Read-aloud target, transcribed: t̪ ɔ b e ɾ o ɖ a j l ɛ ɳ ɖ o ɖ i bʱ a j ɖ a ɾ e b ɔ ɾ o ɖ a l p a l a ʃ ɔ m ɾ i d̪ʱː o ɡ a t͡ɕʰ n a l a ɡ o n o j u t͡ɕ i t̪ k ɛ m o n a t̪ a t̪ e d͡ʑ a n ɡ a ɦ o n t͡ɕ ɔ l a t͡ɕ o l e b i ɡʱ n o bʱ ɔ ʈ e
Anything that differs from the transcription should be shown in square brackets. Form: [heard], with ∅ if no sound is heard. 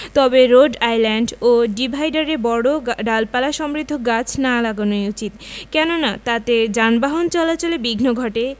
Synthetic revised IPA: t̪ ɔ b e ɾ o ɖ a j l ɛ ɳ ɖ o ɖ i bʱ a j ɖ a ɾ e b ɔ [ɽ] o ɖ a l p a l a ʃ ɔ m ɾ i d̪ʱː o ɡ a t͡ɕʰ n a l a ɡ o n o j u t͡ɕ i t̪ k ɛ [n] o n a t̪ a t̪ e d͡ʑ a n [b] a ɦ o n t͡ɕ ɔ l a t͡ɕ o l e b i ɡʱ n o [ɡʱ] ɔ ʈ e

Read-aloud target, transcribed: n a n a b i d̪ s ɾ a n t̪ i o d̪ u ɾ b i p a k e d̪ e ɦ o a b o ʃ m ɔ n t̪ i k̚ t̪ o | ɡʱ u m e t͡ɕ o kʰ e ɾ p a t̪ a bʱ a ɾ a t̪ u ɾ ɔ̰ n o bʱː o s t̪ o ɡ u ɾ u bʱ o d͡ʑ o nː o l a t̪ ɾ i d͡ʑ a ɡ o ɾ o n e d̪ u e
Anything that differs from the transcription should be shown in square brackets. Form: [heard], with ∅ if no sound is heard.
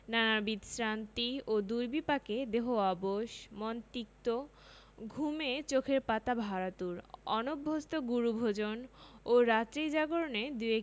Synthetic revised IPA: n a n a b i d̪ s ɾ a n t̪ i o d̪ u ɾ b i p a k e d̪ e ɦ o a b o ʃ m ɔ n t̪ i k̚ t̪ o | ɡʱ u m e t͡ɕ o kʰ e ɾ p a t̪ a bʱ a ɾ a t̪ u ɾ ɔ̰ n o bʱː o s t̪ o ɡ u ɾ u bʱ o d͡ʑ o [n] o [ɾ] a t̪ ɾ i d͡ʑ a ɡ o ɾ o n e d̪ u e

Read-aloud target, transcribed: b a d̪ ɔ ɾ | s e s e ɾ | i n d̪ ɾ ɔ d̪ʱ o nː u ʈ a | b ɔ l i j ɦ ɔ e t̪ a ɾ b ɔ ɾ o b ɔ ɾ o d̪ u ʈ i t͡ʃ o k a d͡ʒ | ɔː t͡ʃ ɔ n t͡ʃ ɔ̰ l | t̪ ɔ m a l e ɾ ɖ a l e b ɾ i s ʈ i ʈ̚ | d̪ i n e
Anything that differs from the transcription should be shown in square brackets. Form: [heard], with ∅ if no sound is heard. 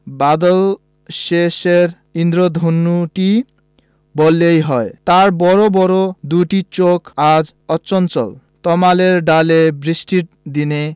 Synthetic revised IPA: b a d̪ ɔ [l] | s e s e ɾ | i n d̪ ɾ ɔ d̪ʱ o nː u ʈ [i] | b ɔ l [e] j ɦ ɔ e t̪ a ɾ b ɔ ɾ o b ɔ ɾ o d̪ u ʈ i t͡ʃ o k a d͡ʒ | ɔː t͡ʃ ɔ n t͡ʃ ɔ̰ l | t̪ ɔ m a l e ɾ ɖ a l e b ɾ i s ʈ i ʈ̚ | d̪ i n e

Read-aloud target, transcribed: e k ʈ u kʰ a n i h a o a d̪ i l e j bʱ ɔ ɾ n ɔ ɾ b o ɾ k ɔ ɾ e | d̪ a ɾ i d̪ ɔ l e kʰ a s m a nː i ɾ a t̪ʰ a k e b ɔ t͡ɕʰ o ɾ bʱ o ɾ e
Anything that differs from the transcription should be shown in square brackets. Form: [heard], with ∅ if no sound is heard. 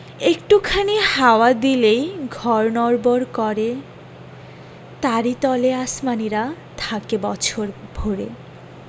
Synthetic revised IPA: e k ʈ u kʰ a n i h a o a d̪ i l e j [ɡʱ] ɔ ɾ n ɔ ɾ b o ɾ k ɔ ɾ e | [t̪] a ɾ i [t̪] ɔ l e [∅] a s m a [n] i ɾ a t̪ʰ a k e b ɔ t͡ɕʰ o ɾ bʱ o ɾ e

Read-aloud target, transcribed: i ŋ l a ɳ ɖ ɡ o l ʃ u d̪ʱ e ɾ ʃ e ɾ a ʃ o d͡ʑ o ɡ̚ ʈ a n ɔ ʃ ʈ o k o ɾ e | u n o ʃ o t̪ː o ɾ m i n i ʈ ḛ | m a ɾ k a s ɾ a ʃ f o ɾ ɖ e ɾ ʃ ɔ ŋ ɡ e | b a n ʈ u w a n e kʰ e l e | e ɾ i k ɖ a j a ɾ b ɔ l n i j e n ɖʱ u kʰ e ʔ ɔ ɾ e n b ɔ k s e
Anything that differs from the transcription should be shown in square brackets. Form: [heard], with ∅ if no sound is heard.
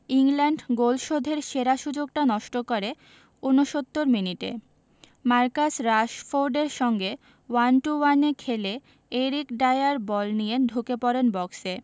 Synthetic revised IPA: i ŋ l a ɳ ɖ ɡ o l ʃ [o] d̪ʱ e ɾ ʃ e ɾ a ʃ [u] d͡ʑ o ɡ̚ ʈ a n ɔ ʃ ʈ o k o ɾ e | u n o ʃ o t̪ː o ɾ m i n i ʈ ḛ | m a ɾ k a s ɾ a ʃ f o ɾ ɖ e ɾ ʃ ɔ ŋ ɡ e | [w] a n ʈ u w a n e kʰ e l e | e ɾ i k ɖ a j a ɾ b ɔ l n i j e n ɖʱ u [k] e [p] ɔ ɾ e n b ɔ k s e

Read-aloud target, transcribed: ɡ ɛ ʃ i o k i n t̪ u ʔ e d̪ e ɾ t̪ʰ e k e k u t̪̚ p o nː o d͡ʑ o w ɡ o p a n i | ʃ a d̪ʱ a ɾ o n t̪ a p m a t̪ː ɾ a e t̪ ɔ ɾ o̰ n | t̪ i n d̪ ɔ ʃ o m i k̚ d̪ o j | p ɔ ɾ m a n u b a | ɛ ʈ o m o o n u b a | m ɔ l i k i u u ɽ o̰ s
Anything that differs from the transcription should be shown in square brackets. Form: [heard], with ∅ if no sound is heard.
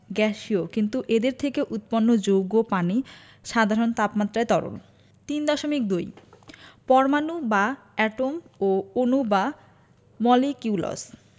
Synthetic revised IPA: ɡ ɛ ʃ i o k i n t̪ u ʔ e d̪ e ɾ t̪ʰ e k e [ʔ] u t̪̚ p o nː o d͡ʑ o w ɡ o p a n i | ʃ a d̪ʱ a ɾ o n t̪ a p m a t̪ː ɾ a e t̪ ɔ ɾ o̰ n | t̪ i n d̪ ɔ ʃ o m i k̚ d̪ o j | p ɔ ɾ m a n u b a | ɛ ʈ o m o o n u b a | m ɔ l i k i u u [l] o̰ s

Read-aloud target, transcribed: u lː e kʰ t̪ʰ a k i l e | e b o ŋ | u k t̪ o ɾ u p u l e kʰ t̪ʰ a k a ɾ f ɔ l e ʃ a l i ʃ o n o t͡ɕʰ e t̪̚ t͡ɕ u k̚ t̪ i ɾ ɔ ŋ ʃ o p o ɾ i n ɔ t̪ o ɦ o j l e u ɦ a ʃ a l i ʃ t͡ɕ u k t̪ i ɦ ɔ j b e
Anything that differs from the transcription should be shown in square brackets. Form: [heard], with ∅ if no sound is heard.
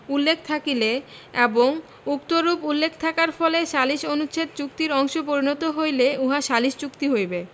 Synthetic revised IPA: u lː e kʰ t̪ʰ a k i l e | e b o ŋ | u k t̪ o ɾ u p u [lː] e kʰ t̪ʰ a k a ɾ f ɔ l e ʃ a l i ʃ o n [u] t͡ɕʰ e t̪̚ t͡ɕ u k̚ t̪ i ɾ ɔ ŋ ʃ o p o ɾ i n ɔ t̪ o ɦ o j l e u ɦ a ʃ a l i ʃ t͡ɕ u k t̪ i ɦ [o] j b e

